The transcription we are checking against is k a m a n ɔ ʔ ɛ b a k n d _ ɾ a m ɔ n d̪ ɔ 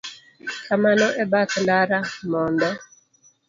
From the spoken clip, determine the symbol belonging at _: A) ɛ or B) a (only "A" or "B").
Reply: B